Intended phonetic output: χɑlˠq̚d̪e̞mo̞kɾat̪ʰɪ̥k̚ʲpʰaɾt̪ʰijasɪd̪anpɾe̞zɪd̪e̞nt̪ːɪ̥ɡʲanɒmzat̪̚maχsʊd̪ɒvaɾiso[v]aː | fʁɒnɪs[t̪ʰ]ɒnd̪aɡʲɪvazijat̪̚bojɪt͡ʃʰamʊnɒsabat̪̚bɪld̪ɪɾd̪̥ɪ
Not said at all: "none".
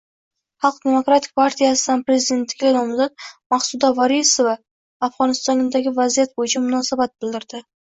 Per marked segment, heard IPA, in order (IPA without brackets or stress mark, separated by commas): v, t̪